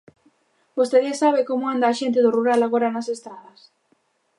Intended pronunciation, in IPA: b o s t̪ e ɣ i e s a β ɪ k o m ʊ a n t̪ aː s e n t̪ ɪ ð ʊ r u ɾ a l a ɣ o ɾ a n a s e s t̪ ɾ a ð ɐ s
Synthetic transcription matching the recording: b o s t̪ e ð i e s a β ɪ k o m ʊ a n d̪ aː ʃ e n t̪ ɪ ð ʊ r u ɾ a l a ɣ o ɾ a n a s e s t̪ ɾ a ð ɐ s